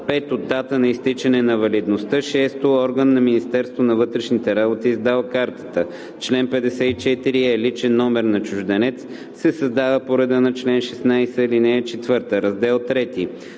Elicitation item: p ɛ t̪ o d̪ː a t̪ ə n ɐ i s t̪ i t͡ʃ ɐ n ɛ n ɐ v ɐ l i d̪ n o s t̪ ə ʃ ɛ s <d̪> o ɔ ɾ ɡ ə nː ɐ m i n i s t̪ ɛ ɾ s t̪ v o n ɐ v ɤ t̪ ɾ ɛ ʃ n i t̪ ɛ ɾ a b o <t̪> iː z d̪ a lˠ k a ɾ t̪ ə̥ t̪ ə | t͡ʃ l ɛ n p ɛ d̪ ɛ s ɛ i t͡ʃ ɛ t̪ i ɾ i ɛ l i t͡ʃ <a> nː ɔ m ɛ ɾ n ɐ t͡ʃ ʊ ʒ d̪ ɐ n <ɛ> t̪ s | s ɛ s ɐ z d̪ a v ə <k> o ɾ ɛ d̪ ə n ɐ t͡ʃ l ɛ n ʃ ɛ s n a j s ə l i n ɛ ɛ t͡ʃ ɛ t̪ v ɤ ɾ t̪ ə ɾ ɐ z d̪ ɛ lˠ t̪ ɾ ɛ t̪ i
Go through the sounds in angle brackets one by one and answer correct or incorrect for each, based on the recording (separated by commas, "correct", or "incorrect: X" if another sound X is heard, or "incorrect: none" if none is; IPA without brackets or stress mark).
incorrect: t̪, correct, incorrect: ɛ, correct, incorrect: p